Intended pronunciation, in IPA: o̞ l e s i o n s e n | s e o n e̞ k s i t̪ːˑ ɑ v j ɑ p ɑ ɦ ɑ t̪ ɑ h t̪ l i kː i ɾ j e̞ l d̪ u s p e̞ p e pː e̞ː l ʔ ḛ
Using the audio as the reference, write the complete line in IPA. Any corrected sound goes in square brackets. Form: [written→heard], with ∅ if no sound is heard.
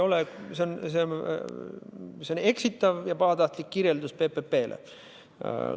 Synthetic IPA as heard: o̞ l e s [i→e] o n s e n | s e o n e̞ k s i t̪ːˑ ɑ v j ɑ p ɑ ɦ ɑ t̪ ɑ h t̪ l i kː i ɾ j e̞ l d̪ u s p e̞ p e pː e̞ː l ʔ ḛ